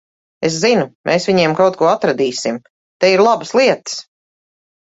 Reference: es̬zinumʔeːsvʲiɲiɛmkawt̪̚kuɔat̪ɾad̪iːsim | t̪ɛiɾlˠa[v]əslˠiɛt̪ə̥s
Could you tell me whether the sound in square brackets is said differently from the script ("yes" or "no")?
yes